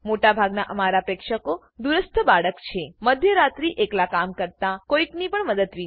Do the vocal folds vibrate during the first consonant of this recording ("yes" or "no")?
yes